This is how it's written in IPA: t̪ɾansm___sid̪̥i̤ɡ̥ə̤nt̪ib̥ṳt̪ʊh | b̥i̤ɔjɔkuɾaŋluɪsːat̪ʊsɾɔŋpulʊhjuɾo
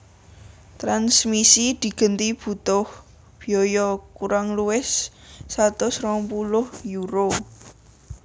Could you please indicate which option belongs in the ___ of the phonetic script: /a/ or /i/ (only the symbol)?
i